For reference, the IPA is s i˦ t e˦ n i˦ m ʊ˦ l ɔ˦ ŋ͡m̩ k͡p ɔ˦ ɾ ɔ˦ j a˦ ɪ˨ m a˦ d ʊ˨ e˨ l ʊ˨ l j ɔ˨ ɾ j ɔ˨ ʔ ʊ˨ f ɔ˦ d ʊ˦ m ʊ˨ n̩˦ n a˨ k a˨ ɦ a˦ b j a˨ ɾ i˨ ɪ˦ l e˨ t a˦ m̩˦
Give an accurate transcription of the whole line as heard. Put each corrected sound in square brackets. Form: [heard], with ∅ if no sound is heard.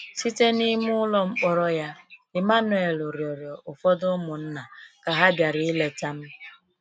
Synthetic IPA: s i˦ t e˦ n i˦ m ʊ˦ l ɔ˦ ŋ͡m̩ k͡p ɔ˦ ɾ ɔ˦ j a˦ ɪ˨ m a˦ [n] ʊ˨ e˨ l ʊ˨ [ɾ] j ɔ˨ ɾ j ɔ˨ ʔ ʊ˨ f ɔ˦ d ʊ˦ m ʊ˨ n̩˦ n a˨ k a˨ ɦ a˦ b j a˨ ɾ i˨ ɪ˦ l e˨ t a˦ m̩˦